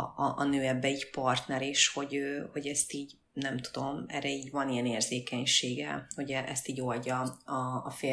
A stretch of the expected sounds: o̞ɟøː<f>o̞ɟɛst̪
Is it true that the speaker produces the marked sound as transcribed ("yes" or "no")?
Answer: no